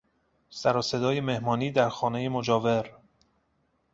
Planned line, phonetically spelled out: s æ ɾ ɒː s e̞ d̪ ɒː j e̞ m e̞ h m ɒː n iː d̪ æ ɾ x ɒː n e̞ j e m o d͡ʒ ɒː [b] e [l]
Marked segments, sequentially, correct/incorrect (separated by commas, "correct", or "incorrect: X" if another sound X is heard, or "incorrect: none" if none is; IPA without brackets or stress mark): incorrect: v, incorrect: ɾ